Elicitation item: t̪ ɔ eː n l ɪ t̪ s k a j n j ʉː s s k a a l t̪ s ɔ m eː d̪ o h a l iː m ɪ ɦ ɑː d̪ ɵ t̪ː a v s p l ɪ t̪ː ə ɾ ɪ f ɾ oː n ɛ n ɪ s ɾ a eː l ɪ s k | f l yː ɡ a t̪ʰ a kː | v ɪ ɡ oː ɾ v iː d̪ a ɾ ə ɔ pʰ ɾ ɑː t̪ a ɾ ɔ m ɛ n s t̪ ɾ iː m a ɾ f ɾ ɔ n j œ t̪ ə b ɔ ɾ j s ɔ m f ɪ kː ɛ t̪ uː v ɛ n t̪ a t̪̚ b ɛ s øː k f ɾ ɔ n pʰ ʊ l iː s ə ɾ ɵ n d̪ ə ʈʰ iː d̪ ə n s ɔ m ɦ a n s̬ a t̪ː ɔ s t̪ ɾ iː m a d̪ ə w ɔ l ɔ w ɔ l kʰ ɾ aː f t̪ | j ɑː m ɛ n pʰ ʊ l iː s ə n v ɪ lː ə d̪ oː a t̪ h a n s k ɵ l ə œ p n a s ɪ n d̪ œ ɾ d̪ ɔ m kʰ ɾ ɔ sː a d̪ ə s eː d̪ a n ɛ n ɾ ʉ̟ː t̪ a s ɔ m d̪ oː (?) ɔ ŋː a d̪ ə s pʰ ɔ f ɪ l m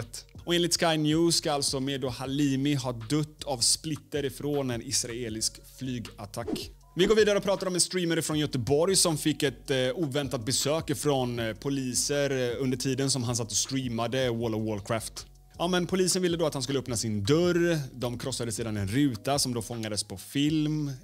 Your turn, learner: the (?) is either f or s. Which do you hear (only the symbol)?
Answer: f